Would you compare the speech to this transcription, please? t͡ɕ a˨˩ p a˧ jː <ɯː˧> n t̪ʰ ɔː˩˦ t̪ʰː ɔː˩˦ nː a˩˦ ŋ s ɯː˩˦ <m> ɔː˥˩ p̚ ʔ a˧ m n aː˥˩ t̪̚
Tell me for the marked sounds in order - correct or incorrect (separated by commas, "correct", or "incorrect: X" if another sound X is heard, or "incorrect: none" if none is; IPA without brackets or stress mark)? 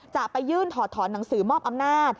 incorrect: ɯː˥˩, correct